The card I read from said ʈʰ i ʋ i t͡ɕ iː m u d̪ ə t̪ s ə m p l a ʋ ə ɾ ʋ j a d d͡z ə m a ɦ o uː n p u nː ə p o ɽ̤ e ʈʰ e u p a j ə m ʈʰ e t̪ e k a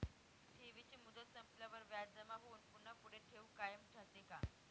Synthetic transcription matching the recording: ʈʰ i ʋ i t͡ɕ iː m u d̪ ə t̪ s ə m p l a ʋ ə ɾ ʋ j a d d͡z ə m a ɦ o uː n p u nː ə p u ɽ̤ e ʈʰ e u k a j ə m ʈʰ a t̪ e k a